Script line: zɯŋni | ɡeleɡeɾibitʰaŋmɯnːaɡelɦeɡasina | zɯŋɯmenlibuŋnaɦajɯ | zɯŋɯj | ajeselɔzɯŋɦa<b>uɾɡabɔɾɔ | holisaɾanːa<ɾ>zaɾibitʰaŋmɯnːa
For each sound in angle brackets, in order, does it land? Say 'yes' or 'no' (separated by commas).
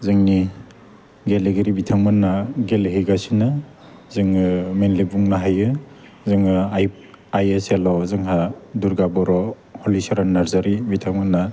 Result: no, yes